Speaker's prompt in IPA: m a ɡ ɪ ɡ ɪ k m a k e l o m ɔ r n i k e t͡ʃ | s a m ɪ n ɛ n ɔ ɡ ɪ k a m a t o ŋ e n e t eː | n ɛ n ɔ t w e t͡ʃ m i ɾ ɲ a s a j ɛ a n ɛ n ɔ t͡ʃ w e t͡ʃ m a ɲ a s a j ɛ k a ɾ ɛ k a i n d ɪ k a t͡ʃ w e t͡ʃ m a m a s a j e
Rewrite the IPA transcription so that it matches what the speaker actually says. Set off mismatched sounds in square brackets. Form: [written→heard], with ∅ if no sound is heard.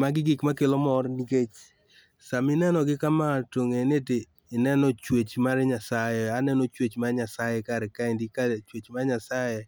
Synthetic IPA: m a ɡ ɪ ɡ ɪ k m a k e l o m ɔ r n i k e t͡ʃ | s a m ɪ n ɛ n ɔ ɡ ɪ k a m a t o ŋ e n e t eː | n ɛ n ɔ [t→t͡ʃ] w e t͡ʃ m [i→a] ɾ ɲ a s a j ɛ a n ɛ n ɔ t͡ʃ w e t͡ʃ m a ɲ a s a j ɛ k a ɾ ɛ k a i n d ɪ k a t͡ʃ w e t͡ʃ m a [m→ɲ] a s a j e